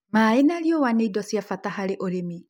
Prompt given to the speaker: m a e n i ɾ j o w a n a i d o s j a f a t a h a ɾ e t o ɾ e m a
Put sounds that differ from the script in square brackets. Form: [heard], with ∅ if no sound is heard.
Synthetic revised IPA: m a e n [a] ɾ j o w a n [e] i d [ɔ] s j a f a t a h a ɾ e [ʔ] o ɾ e m [i]